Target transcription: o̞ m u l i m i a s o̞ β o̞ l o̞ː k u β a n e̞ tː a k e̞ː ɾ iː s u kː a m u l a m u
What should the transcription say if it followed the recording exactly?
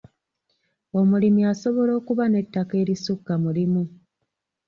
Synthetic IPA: o̞ m u l i m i a s o̞ β o̞ l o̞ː k u β a n e̞ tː a k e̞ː ɾ i s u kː a m u l i m u